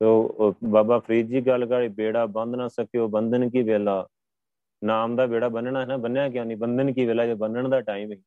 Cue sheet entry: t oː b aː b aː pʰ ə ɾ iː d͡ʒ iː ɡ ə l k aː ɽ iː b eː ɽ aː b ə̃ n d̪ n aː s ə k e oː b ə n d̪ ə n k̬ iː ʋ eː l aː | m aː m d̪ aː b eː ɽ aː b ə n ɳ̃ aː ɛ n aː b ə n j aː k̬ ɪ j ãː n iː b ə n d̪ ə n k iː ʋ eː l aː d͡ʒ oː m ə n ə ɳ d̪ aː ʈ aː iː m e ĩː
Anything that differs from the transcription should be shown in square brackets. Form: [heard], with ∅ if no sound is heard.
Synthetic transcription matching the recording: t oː b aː b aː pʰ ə ɾ iː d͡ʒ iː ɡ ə l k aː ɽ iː b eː ɽ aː b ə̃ n d̪ n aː s ə k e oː b ə n d̪ ə n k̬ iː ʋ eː l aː | [n] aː m d̪ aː b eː ɽ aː b ə n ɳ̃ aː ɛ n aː b ə n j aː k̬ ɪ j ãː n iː b ə n d̪ ə n k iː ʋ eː l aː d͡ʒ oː [b] ə n ə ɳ d̪ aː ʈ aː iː m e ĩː